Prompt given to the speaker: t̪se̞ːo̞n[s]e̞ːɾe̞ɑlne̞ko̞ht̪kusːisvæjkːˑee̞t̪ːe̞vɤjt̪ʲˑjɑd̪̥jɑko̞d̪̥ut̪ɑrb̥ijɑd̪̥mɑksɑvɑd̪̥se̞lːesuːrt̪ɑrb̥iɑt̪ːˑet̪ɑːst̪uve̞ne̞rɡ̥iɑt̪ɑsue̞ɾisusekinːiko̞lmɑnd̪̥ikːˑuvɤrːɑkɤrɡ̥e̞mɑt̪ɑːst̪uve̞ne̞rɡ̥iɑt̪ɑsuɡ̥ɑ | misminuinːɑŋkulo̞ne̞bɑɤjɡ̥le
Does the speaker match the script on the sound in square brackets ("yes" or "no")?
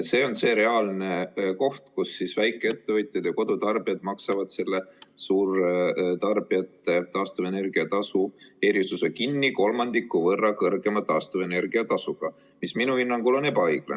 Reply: yes